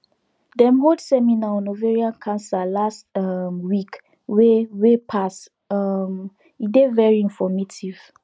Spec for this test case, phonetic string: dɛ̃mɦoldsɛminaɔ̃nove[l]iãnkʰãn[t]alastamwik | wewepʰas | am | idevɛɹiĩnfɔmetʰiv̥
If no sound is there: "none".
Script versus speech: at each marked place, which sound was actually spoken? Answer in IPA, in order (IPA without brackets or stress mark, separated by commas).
ɹ, s